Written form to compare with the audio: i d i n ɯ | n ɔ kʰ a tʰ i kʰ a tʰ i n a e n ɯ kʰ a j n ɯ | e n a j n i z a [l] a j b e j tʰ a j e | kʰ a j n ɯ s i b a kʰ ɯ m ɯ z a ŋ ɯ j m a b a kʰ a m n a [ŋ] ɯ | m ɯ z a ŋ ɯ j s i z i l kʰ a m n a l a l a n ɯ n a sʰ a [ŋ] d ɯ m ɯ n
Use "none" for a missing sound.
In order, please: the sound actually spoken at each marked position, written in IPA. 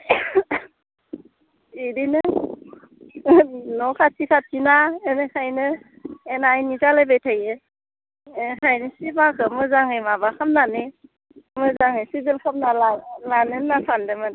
l, n, n

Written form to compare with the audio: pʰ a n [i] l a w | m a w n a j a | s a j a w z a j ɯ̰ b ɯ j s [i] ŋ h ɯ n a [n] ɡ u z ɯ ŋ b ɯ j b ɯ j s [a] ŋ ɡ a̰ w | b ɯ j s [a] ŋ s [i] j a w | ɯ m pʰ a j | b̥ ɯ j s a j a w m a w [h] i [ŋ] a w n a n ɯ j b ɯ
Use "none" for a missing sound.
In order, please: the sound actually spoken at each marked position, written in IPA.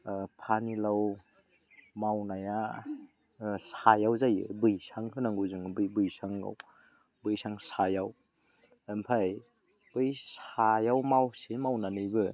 i, a, ŋ, a, a, a, s, m

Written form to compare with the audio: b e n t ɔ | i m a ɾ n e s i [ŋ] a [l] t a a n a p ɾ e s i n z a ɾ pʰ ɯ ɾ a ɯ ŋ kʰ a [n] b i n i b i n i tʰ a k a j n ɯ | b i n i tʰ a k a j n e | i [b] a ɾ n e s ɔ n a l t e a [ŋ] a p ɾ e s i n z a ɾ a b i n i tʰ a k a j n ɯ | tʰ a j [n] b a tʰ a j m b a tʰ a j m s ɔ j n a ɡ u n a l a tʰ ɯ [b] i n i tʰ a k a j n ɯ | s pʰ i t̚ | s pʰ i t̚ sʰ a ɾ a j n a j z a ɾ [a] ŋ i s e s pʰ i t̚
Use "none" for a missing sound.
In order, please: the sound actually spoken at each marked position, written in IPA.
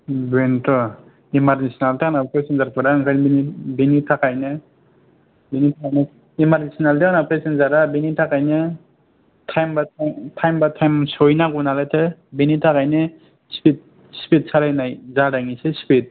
n, l, n, m, n, m, b, a

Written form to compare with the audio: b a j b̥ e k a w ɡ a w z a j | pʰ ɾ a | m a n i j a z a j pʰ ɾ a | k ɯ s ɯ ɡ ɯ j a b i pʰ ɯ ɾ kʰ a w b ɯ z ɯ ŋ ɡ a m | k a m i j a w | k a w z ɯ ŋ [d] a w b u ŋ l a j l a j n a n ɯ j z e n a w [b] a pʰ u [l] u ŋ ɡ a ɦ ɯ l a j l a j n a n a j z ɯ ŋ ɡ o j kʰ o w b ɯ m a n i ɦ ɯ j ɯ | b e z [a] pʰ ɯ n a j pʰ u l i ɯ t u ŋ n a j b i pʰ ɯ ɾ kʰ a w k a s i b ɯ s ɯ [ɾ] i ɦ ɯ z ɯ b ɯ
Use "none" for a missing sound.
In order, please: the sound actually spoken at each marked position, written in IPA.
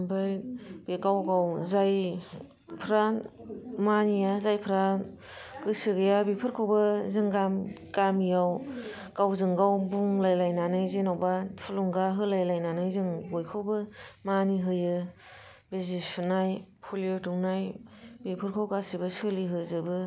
ɡ, b, l, i, l

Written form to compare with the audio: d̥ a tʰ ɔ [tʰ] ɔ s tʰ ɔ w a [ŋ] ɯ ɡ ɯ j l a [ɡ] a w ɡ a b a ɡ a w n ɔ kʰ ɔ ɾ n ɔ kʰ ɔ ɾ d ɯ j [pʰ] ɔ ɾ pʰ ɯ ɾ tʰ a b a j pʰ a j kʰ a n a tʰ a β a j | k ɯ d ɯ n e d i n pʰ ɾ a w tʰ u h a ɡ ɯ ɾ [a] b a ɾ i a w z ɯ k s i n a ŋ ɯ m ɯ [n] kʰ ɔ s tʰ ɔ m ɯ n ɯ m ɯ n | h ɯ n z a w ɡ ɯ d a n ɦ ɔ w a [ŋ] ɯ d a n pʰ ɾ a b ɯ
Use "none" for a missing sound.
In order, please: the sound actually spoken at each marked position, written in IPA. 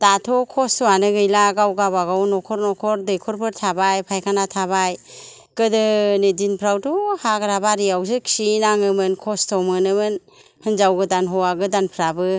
kʰ, n, ɡ, kʰ, a, n, ɡ

